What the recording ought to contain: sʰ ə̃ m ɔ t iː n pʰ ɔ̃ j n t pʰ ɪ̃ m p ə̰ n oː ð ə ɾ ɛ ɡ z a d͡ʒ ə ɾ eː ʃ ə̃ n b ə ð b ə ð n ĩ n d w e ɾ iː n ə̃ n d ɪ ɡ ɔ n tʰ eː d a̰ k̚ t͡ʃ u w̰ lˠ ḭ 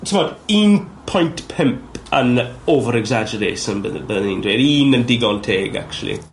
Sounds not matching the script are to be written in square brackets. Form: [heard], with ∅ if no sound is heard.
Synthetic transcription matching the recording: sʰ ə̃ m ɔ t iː n pʰ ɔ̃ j n t pʰ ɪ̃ m p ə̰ n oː [v] ə ɾ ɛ ɡ z a d͡ʒ ə ɾ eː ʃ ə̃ n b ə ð b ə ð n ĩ n d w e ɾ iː n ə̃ n d ɪ ɡ ɔ n tʰ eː [ɡ] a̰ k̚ t͡ʃ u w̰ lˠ ḭ